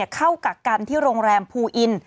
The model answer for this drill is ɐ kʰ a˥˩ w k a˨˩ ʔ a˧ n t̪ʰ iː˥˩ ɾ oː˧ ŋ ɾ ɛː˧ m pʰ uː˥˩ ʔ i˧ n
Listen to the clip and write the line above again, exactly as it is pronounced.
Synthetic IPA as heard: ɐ kʰ a˥˩ w k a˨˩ k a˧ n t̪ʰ iː˥˩ ɾ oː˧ ŋ ɾ ɛː˧ m pʰ uː˧ ʔ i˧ n